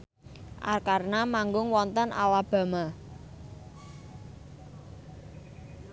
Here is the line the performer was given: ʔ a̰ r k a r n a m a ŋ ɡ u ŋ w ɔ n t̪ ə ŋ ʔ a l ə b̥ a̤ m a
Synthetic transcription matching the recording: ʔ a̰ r k a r n a m a ŋ ɡ ʊ ŋ w ɔ n t̪ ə n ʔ a l a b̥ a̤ m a